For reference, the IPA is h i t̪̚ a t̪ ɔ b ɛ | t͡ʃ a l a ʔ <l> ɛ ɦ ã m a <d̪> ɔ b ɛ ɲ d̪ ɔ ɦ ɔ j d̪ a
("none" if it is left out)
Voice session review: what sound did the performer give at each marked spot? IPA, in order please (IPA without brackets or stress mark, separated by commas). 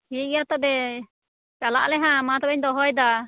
l, t̪